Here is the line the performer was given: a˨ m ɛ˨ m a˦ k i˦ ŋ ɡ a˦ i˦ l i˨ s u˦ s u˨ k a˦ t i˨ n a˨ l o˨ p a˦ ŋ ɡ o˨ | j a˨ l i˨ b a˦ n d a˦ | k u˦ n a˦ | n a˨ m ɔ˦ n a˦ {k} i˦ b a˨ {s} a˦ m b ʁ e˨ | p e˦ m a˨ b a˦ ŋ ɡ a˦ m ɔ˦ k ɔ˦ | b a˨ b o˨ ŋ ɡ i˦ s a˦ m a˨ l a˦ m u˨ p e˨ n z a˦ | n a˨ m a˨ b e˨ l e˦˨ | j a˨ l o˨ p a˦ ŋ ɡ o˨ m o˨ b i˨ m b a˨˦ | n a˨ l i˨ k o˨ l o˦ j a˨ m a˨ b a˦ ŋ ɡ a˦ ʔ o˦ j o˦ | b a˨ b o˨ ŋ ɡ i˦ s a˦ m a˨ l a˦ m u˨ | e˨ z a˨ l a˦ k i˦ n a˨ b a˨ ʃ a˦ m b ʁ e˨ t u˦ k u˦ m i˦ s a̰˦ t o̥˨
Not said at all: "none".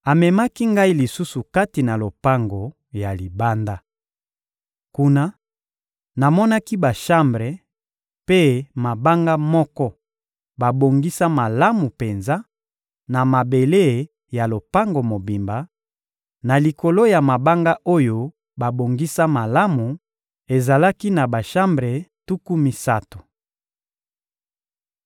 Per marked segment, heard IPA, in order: k, ʃ

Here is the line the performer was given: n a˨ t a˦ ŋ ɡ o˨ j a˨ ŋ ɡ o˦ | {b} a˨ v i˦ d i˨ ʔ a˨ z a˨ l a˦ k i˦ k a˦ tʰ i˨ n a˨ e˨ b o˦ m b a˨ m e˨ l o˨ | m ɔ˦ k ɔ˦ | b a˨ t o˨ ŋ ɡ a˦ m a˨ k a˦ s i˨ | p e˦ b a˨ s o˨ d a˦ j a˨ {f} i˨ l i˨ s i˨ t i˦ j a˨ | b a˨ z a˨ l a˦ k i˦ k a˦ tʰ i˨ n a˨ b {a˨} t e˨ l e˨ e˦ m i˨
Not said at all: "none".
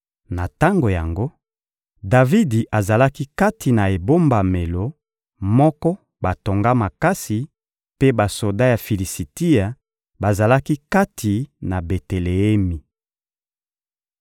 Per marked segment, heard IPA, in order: d, f, e˨

